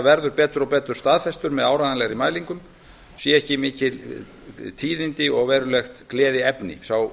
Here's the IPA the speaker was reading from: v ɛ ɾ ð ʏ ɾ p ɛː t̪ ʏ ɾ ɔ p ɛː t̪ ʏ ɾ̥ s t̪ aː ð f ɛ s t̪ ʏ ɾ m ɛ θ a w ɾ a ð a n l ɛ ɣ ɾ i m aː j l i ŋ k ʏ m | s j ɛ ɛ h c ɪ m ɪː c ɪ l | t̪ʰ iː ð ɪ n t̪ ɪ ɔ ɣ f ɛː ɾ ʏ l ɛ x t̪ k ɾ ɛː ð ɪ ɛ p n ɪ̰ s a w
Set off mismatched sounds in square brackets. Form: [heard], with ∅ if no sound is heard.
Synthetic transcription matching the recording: v ɛ ɾ ð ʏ ɾ p ɛː t̪ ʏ ɾ ɔ p ɛː t̪ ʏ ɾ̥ s t̪ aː ð f ɛ s t̪ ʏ ɾ m ɛ [ð] a w ɾ a ð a n l ɛ ɣ ɾ i m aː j l i ŋ k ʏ m | s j ɛ ɛ h c ɪ m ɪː c ɪ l | t̪ʰ iː ð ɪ n t̪ ɪ ɔ ɣ [v] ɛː ɾ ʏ l ɛ x t̪ k [l] ɛː ð ɪ ɛ p n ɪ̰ s a w